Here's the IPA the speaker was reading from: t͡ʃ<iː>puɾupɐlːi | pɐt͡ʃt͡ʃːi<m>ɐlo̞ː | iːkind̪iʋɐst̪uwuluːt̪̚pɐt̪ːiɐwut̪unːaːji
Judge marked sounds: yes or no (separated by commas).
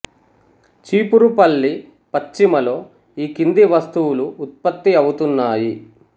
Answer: yes, yes